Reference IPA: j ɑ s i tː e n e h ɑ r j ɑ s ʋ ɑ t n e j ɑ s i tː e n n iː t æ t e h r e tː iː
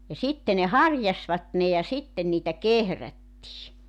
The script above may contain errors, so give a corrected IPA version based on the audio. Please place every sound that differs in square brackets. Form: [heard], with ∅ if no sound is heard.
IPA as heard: j ɑ s i tː e n e h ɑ r j ɑ s ʋ ɑ t n e j ɑ s i tː e n n iː t æ [k] e h r [æ] tː iː